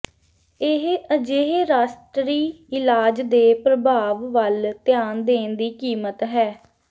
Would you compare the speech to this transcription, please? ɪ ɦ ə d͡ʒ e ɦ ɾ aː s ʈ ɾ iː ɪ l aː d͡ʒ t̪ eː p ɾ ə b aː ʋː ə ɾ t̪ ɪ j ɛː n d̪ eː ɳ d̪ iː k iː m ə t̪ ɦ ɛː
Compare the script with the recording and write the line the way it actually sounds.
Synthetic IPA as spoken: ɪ ɦ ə d͡ʒ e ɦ ɾ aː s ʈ ɾ iː ɪ l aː d͡ʒ d̪ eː p ɾ ə b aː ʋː ə l t̪ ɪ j aː n d̪ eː n d̪ iː k iː m ə t̪ ɦ ɛː